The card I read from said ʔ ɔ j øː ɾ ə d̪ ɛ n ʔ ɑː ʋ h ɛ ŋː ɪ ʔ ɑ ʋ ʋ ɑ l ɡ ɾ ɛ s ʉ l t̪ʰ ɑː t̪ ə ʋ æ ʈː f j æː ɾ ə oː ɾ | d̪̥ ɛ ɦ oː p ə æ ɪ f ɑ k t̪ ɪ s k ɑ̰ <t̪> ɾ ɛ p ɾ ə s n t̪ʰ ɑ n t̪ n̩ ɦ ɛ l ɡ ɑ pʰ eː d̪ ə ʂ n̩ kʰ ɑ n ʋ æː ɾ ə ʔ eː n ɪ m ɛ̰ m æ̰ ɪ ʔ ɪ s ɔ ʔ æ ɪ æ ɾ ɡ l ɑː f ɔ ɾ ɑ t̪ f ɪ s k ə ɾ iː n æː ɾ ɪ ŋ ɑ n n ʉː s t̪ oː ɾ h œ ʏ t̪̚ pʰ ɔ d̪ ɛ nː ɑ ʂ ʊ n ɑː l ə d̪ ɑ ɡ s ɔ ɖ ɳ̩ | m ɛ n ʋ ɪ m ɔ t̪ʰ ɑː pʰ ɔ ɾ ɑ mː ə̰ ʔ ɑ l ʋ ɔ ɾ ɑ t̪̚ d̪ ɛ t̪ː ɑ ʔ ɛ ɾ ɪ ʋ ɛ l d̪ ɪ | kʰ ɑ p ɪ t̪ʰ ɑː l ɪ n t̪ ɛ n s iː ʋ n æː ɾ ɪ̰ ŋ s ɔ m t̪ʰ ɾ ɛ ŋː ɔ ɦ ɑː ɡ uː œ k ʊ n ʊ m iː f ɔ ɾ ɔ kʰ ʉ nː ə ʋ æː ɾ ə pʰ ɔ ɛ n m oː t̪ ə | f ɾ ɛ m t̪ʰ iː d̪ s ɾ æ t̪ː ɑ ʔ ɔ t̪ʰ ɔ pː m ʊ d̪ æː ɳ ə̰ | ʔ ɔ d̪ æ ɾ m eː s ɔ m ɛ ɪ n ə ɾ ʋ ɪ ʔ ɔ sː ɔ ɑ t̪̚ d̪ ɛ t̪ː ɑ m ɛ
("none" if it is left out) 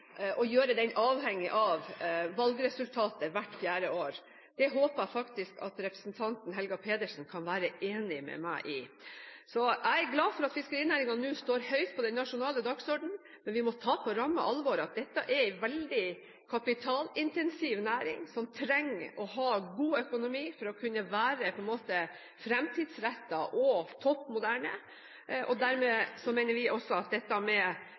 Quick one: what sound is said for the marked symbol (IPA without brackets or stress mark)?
t̪